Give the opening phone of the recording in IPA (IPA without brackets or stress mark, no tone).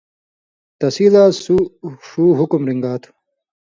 t̪